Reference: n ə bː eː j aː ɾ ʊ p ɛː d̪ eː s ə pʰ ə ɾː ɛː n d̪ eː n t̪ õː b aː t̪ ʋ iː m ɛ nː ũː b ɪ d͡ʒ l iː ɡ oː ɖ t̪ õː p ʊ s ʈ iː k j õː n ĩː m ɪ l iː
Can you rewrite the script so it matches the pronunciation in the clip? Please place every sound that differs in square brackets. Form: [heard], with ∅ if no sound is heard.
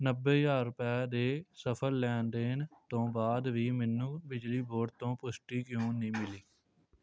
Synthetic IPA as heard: n ə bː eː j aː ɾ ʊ p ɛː d̪ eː s ə pʰ ə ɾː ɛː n d̪ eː n t̪ õː b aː [d̪] ʋ iː m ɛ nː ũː b ɪ d͡ʒ l iː [b] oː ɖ t̪ õː p ʊ s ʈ iː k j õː n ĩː m ɪ l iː